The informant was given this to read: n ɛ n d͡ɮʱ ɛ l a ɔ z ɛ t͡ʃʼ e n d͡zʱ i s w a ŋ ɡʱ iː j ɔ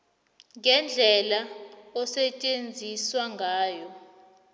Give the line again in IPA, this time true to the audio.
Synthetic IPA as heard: ŋ ɛ n d͡ɮʱ ɛ l a ɔ s ɛ t͡ʃʼ e n d͡zʱ i s w a ŋ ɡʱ aː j ɔ